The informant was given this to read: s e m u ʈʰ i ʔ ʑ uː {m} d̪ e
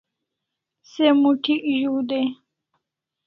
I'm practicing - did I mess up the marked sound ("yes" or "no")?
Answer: yes